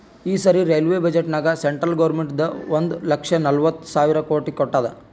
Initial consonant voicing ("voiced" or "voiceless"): voiceless